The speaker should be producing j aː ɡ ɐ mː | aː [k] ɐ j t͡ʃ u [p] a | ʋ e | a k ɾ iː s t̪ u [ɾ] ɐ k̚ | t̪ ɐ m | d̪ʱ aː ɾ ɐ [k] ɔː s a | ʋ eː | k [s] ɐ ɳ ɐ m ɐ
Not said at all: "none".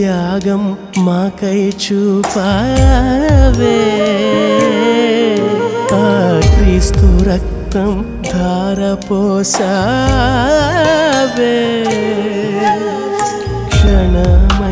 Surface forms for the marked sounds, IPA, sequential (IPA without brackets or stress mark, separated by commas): k, p, ɾ, p, ʂ